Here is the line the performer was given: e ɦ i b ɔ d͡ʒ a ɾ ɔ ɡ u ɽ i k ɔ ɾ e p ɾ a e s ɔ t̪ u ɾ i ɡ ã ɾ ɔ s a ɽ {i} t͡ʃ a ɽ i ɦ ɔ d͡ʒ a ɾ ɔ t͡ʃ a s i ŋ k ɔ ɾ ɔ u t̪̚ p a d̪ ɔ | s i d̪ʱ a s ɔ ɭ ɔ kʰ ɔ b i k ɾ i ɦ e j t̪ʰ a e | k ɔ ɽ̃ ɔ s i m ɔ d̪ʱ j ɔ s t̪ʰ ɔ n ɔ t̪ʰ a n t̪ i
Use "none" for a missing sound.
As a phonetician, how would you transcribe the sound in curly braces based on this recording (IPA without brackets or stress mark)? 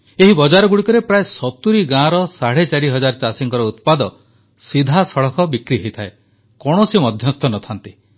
e